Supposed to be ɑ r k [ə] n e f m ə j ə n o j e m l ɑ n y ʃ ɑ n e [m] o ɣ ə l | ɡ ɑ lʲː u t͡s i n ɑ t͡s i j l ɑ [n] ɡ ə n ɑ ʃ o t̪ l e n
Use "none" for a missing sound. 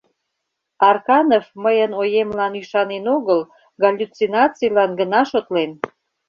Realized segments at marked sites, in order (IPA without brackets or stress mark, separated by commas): ɑ, n, n